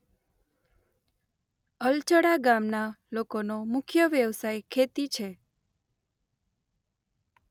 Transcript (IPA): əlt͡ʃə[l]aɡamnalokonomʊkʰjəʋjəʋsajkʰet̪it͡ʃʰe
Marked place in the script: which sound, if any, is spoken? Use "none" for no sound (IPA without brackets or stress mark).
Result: ɽ